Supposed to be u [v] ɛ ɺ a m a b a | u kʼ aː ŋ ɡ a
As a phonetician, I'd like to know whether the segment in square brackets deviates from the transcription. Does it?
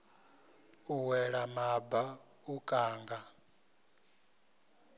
yes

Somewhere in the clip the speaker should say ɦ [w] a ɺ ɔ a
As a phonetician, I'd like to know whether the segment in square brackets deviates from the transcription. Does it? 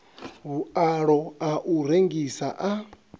yes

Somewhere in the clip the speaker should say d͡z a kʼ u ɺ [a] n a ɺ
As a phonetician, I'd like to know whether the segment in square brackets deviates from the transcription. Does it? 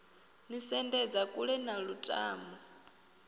yes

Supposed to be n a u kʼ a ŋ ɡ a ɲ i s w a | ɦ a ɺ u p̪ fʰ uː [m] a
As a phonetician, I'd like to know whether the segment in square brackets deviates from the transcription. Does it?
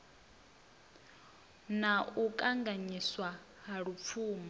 no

